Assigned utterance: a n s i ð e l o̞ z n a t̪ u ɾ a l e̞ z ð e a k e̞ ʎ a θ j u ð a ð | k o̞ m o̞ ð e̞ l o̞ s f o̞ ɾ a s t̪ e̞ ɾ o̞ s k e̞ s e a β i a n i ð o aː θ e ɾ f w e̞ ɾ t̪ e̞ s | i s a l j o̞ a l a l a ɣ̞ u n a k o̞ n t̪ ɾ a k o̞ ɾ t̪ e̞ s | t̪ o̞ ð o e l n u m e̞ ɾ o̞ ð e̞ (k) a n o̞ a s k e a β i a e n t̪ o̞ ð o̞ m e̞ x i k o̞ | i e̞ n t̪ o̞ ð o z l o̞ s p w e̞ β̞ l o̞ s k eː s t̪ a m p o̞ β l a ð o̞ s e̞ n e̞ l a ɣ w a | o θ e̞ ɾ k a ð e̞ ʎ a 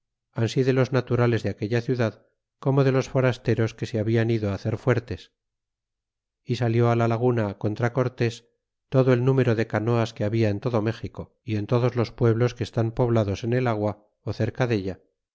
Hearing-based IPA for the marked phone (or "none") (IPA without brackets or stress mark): k